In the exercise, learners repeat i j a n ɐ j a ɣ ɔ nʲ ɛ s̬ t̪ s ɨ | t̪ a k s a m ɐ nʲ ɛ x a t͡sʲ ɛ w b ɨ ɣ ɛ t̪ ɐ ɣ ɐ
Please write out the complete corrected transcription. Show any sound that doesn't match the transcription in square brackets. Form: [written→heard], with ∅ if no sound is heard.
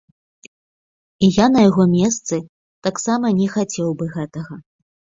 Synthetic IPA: i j a n ɐ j a ɣ ɔ [nʲ→mʲ] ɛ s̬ t̪ s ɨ | t̪ a k s a m ɐ nʲ ɛ x a t͡sʲ ɛ w b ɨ ɣ ɛ t̪ ɐ ɣ ɐ